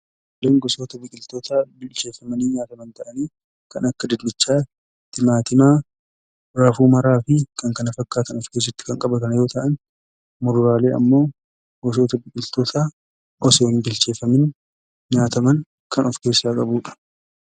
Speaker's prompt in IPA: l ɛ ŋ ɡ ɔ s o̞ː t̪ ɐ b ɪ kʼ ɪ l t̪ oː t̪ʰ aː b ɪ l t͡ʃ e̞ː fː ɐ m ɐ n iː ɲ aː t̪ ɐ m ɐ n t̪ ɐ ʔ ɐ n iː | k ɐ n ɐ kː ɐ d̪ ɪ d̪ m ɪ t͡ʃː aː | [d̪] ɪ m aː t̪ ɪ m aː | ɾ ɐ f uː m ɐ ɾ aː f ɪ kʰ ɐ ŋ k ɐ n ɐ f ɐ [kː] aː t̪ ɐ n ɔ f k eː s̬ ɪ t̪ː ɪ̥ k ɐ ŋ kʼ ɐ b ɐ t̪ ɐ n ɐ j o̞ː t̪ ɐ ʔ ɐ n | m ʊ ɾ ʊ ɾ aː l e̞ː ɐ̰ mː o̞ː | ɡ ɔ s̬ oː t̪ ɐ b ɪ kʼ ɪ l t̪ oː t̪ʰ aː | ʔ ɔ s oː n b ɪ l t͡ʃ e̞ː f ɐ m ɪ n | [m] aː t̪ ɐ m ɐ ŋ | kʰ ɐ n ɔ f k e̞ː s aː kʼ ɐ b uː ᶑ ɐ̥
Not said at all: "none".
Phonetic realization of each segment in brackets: t̪, kː, ɲ

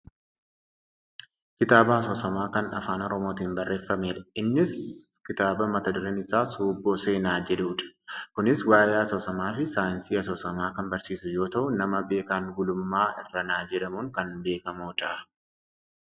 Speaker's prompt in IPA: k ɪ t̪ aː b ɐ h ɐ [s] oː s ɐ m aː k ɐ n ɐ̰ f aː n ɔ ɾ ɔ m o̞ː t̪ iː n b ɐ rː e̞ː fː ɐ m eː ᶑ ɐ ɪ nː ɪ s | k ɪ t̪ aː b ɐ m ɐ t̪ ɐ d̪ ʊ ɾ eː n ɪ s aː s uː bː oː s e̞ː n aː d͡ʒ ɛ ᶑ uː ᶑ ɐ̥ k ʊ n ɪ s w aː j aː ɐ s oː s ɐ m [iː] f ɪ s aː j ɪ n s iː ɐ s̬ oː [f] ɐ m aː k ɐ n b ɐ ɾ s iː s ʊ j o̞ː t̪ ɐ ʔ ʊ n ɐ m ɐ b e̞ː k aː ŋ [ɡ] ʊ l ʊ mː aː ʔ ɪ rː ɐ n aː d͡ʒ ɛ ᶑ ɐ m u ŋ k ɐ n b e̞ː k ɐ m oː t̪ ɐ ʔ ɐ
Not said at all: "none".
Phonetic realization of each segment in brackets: s, aː, s, ɡ

